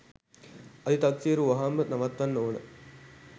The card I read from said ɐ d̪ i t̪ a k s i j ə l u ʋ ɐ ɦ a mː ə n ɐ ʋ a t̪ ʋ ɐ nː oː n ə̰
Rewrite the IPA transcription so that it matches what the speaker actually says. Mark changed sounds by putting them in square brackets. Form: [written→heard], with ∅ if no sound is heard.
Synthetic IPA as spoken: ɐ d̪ i t̪ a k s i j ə [l→ɾ] u ʋ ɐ ɦ a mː ə n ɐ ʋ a t̪ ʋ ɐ nː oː n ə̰